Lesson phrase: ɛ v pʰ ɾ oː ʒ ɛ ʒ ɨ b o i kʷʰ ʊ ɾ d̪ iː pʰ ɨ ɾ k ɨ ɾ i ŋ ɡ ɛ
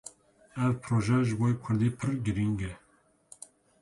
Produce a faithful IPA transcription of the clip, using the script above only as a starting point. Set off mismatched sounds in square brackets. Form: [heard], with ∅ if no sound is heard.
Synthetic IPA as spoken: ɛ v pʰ ɾ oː ʒ ɛ ʒ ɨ b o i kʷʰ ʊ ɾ d̪ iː pʰ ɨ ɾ [ɡ] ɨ ɾ i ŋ ɡ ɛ